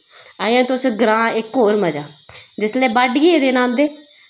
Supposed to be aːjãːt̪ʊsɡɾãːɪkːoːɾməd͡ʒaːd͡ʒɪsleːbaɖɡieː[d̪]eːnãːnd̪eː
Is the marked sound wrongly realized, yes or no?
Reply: no